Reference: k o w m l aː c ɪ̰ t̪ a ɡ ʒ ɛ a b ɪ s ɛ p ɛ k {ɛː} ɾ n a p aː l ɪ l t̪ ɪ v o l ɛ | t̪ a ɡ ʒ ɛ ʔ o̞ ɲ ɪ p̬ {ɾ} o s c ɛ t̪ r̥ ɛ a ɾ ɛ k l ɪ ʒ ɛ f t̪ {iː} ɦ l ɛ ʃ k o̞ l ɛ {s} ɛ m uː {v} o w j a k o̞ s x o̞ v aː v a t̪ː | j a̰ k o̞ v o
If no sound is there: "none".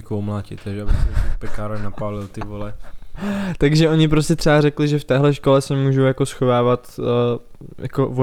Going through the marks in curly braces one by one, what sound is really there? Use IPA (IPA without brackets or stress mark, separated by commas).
aː, ɾ, ɛː, s, ʒ